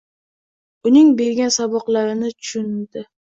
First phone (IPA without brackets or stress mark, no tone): ʊ